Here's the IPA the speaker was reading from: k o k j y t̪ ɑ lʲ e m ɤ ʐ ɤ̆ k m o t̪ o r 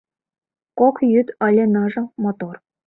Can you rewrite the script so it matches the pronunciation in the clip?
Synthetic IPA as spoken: k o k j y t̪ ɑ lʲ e n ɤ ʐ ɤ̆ m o t̪ o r